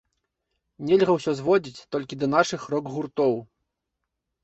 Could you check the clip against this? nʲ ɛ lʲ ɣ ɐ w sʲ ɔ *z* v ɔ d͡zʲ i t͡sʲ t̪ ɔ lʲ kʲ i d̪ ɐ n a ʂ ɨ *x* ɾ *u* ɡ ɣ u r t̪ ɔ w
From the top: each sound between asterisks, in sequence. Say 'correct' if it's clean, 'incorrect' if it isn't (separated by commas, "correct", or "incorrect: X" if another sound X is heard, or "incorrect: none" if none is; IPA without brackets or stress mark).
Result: correct, correct, incorrect: ɔ